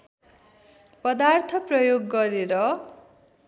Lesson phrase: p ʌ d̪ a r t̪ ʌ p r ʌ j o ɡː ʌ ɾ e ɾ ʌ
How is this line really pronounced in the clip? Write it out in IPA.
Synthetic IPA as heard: p ʌ d̪ a r t̪ʰ ʌ p r ʌ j o ɡː ʌ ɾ e ɾ ʌ